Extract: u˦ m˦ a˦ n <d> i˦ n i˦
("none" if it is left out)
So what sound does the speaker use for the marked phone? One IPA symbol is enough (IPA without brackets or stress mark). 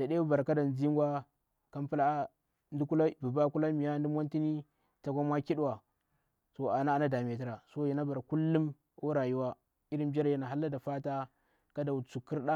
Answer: t